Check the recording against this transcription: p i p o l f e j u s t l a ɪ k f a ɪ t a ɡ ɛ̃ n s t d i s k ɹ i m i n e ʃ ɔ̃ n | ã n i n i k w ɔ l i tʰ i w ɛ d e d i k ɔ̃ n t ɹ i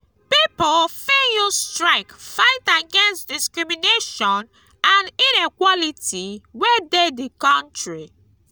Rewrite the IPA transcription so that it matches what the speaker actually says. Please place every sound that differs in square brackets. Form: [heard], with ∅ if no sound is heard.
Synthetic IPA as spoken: p i p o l f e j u s t [ɹ] a ɪ k f a ɪ t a ɡ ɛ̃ n s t d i s k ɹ i m i n e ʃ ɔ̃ n | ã n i n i k w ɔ l i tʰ i w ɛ d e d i k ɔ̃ n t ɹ i